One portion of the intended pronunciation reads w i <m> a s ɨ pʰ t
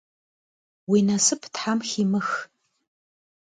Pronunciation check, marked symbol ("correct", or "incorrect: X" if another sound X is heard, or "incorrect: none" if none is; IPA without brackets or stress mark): incorrect: n